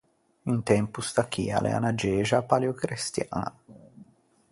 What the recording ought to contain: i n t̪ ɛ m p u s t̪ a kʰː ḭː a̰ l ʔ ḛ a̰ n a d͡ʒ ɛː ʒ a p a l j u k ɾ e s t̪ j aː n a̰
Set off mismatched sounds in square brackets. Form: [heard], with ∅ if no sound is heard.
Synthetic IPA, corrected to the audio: i n t̪ ɛ m p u s t̪ a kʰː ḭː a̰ l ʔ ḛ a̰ n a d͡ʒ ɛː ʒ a p a l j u k ɾ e s t̪ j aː n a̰